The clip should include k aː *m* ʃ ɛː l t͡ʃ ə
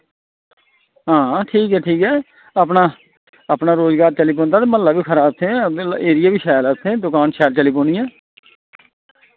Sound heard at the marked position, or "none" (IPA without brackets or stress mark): n